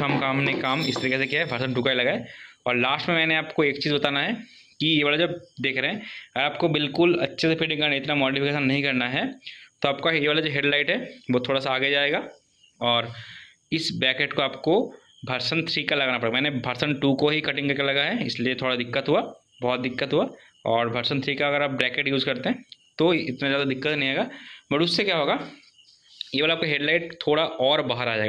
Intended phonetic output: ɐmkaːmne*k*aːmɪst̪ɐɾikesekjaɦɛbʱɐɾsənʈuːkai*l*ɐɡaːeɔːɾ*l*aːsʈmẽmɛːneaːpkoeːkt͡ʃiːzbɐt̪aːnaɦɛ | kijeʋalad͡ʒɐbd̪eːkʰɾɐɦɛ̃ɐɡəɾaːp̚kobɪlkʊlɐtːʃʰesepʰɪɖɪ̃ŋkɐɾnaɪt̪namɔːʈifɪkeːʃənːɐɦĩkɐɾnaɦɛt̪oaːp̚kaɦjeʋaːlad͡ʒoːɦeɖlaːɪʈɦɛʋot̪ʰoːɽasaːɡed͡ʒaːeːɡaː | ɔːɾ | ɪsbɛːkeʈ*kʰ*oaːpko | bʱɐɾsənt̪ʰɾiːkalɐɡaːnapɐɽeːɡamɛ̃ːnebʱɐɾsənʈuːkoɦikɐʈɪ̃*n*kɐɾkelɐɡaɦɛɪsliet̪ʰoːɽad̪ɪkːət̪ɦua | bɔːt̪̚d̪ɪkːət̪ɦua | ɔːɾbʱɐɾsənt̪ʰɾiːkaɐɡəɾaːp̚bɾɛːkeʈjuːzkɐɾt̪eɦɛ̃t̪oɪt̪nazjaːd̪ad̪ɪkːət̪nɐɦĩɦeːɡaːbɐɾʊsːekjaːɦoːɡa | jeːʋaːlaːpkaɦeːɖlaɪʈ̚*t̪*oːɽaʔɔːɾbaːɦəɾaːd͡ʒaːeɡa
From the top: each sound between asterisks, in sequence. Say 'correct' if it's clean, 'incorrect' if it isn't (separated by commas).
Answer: correct, correct, correct, incorrect, incorrect, incorrect